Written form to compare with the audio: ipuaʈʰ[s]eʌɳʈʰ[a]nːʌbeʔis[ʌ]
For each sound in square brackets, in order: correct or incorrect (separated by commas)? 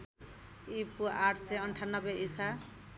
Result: correct, correct, incorrect